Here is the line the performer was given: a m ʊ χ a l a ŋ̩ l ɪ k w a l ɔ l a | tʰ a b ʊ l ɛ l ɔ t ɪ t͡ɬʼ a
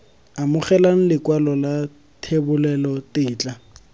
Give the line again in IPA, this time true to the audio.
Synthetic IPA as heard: a m ʊ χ ɛ l a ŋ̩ l ɪ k w a l ɔ l a | tʰ e b ʊ l ɛ l ɔ t ɪː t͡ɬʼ a